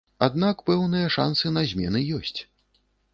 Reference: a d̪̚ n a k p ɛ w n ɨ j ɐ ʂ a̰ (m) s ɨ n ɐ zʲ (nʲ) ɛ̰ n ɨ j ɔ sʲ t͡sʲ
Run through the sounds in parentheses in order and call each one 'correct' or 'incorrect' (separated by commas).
incorrect, incorrect